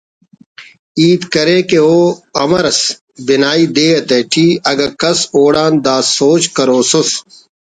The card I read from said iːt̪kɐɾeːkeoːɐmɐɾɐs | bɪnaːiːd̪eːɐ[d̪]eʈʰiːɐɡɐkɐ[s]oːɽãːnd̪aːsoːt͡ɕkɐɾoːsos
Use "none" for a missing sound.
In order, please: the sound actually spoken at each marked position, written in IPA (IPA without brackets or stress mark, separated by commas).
t̪, s